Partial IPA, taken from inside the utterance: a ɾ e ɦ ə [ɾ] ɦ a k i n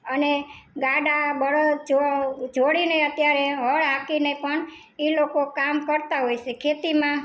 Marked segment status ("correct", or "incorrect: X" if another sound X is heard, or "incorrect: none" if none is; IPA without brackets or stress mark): incorrect: ɭ